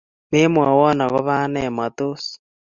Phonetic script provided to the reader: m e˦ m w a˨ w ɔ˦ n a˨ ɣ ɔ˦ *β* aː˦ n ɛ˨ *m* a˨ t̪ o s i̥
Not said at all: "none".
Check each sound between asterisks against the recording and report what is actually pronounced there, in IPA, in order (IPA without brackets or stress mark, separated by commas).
β, m